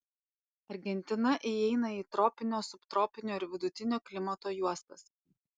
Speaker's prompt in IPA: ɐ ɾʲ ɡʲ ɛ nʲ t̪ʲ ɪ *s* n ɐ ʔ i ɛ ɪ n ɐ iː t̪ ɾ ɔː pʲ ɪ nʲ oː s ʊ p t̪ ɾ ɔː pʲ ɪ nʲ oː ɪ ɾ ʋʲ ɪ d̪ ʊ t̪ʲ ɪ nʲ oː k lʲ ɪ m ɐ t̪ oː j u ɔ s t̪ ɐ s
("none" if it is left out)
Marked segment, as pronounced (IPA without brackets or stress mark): none